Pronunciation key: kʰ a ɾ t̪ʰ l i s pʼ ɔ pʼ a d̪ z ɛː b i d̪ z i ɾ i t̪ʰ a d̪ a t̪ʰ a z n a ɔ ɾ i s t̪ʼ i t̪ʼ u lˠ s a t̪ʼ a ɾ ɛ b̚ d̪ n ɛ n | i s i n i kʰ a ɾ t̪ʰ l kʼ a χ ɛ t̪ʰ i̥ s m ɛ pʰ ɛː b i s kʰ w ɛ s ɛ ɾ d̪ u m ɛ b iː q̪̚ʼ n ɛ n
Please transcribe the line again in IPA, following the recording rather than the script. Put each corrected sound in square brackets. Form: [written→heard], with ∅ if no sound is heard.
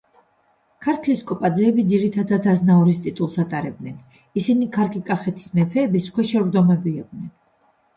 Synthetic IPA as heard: kʰ a ɾ t̪ʰ l i s [pʼ→kʼ] ɔ pʼ a d̪ z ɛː b i d̪ z i ɾ i t̪ʰ a d̪ a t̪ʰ a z n a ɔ ɾ i s t̪ʼ i t̪ʼ u lˠ s a t̪ʼ a ɾ ɛ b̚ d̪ n ɛ n | i s i n i kʰ a ɾ t̪ʰ l kʼ a χ ɛ t̪ʰ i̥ s m ɛ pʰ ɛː b i s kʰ w ɛ [s→ʃ] ɛ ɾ d̪ [u→ɔ] m ɛ b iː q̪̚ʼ n ɛ n